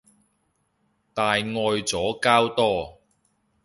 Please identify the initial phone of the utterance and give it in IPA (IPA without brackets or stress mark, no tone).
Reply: t̪